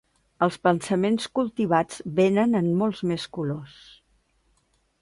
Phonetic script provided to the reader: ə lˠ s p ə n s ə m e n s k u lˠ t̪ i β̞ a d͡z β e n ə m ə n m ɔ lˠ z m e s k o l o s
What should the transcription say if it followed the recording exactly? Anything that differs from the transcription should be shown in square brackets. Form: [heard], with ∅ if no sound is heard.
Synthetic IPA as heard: ə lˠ s p ə n s ə m e n s k u lˠ t̪ i β̞ a d͡z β e n ə [n] ə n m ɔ lˠ z m e s k [u] l o s